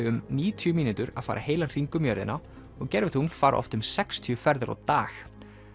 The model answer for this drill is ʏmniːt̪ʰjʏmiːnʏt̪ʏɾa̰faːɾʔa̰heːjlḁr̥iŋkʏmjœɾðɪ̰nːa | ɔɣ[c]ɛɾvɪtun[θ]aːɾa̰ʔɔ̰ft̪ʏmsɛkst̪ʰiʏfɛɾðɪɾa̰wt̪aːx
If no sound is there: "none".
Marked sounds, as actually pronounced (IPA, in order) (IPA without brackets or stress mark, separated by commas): c, f